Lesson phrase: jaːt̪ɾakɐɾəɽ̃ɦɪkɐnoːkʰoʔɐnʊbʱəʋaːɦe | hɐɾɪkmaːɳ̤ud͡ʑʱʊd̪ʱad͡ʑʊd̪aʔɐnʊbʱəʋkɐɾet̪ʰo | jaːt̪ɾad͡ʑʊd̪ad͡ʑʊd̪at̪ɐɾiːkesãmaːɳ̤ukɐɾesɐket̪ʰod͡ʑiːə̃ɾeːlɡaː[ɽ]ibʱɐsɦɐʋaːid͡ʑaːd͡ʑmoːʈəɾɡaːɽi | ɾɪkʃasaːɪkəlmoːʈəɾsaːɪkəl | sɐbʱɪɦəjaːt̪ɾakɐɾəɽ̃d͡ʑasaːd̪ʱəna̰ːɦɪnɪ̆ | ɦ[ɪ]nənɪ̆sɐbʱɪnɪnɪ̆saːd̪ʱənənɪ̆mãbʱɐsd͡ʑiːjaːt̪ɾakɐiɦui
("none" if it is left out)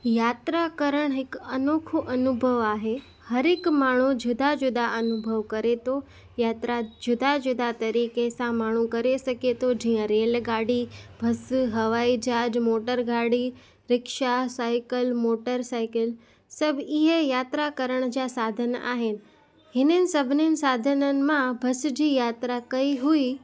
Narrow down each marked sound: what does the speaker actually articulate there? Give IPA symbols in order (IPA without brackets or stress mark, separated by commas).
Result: ɽ, ɪ